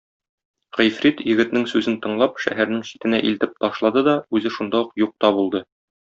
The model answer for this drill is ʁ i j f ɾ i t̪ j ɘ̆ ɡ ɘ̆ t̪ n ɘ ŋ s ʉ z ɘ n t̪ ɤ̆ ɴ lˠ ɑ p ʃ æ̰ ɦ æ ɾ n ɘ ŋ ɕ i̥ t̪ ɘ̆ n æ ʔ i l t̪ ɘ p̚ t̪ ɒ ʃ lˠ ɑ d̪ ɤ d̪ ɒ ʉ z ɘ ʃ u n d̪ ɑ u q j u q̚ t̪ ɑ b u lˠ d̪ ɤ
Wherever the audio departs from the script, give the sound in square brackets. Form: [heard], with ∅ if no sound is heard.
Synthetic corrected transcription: ʁ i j f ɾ i t̪ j ɘ̆ ɡ ɘ̆ t̪ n ɘ ŋ s ʉ z ɘ n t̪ ɤ̆ ɴ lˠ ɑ p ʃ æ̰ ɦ æ ɾ n ɘ ŋ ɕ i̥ t̪ ɘ̆ n æ ʔ i l t̪ ɘ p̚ t̪ ɒ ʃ lˠ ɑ d̪ ɤ d̪ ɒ ʉ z ɘ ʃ u n d̪ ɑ u q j u q̚ t̪ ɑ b u lˠ d̪ ɤ